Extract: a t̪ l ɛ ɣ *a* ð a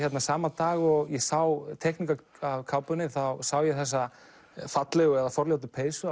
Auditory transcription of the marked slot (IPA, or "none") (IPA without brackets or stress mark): ɛ